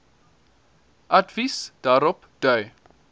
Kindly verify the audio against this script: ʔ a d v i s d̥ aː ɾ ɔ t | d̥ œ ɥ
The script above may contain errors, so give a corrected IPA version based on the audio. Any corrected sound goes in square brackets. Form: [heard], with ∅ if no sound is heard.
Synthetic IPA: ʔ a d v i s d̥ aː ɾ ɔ [p] | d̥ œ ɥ